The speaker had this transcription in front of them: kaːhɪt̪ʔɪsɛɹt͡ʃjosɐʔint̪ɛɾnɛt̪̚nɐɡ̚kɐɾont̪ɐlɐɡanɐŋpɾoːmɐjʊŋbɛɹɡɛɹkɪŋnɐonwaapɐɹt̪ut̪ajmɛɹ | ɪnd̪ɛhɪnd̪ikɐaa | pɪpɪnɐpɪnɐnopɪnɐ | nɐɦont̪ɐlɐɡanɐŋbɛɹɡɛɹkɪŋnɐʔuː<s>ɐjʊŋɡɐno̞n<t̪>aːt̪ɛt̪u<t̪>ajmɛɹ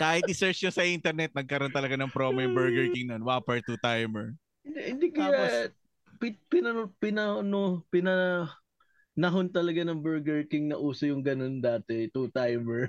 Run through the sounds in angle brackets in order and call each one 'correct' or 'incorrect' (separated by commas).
correct, incorrect, correct